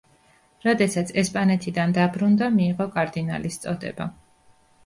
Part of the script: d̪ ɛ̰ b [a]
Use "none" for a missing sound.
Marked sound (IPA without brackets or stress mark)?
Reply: a